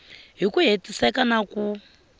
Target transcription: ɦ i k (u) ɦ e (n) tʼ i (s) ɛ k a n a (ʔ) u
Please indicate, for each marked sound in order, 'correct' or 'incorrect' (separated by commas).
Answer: correct, incorrect, correct, incorrect